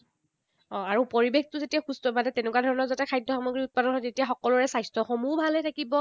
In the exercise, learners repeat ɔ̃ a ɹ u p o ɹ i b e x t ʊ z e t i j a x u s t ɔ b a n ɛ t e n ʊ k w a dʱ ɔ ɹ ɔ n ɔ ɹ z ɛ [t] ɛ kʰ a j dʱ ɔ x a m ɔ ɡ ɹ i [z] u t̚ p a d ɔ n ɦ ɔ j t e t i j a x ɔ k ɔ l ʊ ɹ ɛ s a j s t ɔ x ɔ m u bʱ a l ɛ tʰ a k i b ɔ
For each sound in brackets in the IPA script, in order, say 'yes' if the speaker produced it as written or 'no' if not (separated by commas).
yes, no